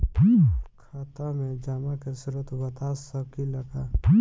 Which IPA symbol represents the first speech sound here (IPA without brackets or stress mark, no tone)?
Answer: kʰ